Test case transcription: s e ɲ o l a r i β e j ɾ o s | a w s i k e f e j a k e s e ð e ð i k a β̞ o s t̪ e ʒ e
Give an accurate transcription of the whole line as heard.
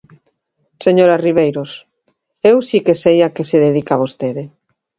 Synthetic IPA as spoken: s e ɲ o ɾ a r i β e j ɾ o s | e w s i k e s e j a k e s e ð e ð i k a β̞ o s t̪ e ð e